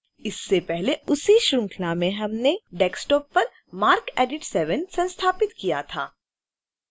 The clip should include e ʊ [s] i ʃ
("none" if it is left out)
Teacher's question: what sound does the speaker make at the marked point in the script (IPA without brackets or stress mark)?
s